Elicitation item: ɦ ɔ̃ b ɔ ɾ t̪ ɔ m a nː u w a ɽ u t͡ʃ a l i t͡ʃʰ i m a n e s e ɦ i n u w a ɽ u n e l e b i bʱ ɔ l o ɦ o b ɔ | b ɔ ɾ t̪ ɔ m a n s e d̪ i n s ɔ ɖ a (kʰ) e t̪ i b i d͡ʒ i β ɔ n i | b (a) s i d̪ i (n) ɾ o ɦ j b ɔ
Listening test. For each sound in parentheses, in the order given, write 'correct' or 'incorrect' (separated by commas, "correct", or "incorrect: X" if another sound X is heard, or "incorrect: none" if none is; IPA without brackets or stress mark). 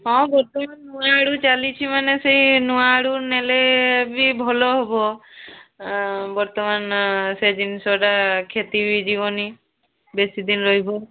correct, incorrect: e, correct